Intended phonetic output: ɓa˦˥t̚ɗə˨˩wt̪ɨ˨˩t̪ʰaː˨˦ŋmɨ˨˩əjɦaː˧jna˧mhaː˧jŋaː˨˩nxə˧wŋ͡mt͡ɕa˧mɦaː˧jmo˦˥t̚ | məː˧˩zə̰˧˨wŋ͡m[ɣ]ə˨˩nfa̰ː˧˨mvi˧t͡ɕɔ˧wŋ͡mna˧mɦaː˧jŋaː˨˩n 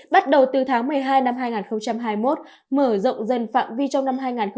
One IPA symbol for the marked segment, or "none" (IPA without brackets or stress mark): z